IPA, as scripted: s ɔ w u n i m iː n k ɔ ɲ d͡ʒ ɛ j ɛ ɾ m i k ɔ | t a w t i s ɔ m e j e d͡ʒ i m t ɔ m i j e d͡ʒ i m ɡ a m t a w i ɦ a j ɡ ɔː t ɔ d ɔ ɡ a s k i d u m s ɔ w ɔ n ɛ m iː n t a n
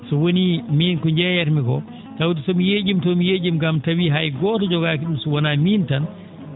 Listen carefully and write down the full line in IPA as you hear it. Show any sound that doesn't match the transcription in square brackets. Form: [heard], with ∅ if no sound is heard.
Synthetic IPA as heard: s ɔ w [o] n i m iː n k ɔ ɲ d͡ʒ ɛ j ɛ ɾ m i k ɔ | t a w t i s ɔ m [i] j e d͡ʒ i m t ɔ m i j e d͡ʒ i m ɡ a m t a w i ɦ a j ɡ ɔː t ɔ [d͡ʒ] ɔ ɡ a [∅] k i [ɗ] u m s ɔ w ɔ n [a] m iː n t a n